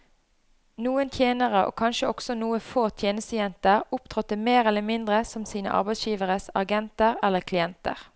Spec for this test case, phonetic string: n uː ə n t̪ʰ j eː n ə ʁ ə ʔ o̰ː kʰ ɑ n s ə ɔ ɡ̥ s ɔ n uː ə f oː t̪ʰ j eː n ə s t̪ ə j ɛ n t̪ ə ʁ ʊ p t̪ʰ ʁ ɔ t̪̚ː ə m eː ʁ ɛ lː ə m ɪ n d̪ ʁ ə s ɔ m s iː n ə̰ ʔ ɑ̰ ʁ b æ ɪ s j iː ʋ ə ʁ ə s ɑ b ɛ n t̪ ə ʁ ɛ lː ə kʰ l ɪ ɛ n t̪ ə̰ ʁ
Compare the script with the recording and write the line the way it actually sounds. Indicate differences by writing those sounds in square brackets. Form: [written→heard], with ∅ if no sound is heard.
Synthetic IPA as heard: n uː ə n t̪ʰ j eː n ə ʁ ə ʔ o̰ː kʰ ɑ n [s→ʃ] ə ɔ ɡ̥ s ɔ n uː ə f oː t̪ʰ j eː n ə s t̪ ə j ɛ n t̪ ə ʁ ʊ p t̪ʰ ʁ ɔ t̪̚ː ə m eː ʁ ɛ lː ə m ɪ n d̪ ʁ ə s ɔ m s iː n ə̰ ʔ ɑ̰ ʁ b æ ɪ s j iː ʋ ə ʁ ə s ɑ [b→ɡ] ɛ n t̪ ə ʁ ɛ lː ə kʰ l ɪ ɛ n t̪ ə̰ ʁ